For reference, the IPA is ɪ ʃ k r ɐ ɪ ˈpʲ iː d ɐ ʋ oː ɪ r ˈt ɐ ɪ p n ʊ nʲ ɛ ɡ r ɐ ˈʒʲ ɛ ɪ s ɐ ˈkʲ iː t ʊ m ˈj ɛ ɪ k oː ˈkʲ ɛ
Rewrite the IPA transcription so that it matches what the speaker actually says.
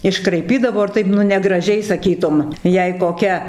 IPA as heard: ɪ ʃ k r ɐ ɪ ˈpʲ iː d ɐ ʋ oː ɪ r ˈt ɐ ɪ p n ʊ nʲ ɛ ɡ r ɐ ˈʒʲ ɛ ɪ s ɐ ˈkʲ iː t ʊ m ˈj ɛ ɪ k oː ˈkʲ ɛ